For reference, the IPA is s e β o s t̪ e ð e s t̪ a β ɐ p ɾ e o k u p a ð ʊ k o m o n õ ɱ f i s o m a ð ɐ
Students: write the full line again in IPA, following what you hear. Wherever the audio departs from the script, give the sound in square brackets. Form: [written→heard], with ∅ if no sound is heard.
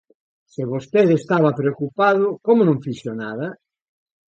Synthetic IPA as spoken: s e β o s t̪ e ð e s t̪ a β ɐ p ɾ e o k u p a ð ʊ k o m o n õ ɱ f i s o [m→n] a ð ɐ